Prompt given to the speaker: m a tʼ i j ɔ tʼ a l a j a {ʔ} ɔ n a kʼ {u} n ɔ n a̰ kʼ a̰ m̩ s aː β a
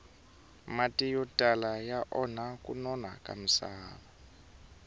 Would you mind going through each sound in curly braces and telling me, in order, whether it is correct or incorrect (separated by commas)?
correct, correct